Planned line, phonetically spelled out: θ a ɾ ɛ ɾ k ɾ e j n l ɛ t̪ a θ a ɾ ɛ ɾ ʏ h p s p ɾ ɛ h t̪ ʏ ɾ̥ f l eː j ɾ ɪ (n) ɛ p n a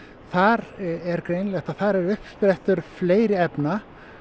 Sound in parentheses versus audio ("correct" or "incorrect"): incorrect